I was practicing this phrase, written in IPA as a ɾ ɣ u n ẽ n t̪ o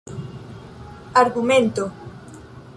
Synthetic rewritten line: a ɾ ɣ u m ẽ n t̪ o